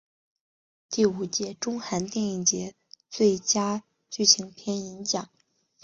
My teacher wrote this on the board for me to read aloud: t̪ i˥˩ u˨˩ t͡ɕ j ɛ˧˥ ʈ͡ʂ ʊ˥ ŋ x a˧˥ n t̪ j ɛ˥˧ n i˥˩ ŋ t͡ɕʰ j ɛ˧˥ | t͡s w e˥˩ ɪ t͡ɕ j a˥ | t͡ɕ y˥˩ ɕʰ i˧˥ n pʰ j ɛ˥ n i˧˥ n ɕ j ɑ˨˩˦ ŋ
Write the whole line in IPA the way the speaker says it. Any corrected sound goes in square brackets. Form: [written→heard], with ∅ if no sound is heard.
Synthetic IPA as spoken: t̪ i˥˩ u˨˩ t͡ɕ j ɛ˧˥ ʈ͡ʂ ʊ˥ ŋ x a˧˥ n t̪ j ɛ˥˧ n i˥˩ ŋ [t͡ɕʰ→t͡ɕ] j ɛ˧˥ | t͡s w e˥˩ ɪ t͡ɕ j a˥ | t͡ɕ y˥˩ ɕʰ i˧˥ [n→ŋ] pʰ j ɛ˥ n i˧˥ n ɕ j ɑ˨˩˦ ŋ